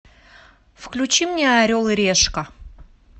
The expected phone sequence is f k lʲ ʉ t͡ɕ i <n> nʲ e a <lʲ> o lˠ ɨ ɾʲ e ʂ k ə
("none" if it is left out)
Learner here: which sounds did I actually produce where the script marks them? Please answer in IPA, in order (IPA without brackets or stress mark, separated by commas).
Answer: m, ɾʲ